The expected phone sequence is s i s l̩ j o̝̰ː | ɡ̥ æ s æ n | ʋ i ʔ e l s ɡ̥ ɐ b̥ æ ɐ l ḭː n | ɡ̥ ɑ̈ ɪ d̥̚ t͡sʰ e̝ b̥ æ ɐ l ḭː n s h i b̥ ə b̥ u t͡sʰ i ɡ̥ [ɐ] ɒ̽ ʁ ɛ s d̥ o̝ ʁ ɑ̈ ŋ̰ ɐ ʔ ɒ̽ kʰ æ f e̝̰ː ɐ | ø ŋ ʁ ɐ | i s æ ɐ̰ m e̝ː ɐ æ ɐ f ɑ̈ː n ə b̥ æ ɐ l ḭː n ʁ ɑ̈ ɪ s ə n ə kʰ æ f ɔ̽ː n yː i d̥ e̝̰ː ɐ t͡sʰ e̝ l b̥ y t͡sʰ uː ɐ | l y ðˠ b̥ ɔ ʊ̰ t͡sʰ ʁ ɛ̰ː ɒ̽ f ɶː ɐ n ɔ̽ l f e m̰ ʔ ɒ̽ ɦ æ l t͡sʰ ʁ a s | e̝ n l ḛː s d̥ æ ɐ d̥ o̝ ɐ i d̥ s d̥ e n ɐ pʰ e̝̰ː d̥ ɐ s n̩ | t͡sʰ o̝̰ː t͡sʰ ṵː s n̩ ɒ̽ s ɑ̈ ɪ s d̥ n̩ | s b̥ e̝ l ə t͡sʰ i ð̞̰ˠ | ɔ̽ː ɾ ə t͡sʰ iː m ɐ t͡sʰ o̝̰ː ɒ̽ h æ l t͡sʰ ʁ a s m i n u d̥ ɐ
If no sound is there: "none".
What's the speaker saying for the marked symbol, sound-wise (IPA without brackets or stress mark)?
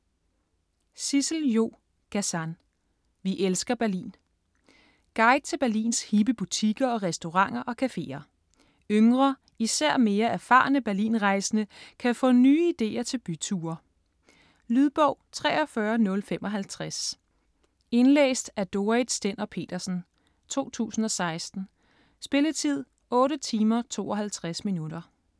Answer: ɐ